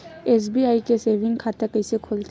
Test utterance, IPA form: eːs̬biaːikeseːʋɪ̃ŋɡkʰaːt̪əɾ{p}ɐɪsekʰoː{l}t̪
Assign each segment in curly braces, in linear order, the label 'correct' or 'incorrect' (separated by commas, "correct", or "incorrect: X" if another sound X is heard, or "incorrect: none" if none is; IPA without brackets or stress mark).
incorrect: k, correct